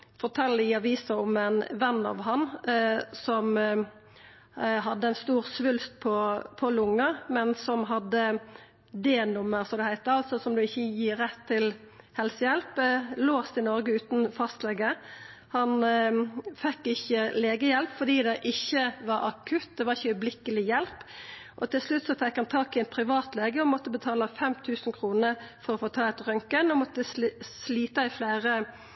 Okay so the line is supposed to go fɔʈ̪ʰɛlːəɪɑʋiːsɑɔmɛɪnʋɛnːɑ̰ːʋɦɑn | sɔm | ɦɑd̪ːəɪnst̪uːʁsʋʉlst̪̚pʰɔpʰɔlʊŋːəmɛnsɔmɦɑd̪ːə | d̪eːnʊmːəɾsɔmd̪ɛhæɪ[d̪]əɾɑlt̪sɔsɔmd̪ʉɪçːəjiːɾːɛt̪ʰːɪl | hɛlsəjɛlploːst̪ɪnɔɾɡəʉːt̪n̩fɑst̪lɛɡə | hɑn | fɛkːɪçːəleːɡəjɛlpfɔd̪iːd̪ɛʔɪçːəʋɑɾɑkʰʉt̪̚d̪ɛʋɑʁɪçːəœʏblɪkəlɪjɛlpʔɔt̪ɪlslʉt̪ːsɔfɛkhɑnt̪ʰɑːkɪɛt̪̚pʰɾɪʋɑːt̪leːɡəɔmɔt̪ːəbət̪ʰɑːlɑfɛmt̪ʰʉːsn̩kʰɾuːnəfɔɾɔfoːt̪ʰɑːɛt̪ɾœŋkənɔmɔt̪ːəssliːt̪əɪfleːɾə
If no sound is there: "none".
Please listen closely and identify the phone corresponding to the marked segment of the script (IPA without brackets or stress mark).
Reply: t̪